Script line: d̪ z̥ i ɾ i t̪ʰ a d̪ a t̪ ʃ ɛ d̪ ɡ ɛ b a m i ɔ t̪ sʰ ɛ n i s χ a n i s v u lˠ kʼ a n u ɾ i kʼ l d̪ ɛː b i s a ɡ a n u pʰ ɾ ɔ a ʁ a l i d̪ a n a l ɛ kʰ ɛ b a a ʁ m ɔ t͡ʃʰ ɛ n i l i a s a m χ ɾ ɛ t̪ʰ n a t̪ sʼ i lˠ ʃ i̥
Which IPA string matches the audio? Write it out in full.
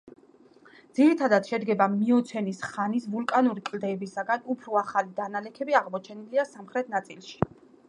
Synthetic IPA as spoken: d̪ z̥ i ɾ i t̪ʰ a d̪ a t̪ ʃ ɛ d̪ ɡ ɛ b a m i ɔ t̪ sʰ ɛ n i s χ a n i s v u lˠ kʼ a n u ɾ i kʼ l d̪ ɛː b i s a ɡ a n u pʰ ɾ ɔ a χ a l i d̪ a n a l ɛ kʰ ɛ b i a ʁ m ɔ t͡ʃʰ ɛ n i l i a s a m χ ɾ ɛ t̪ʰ n a t̪ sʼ i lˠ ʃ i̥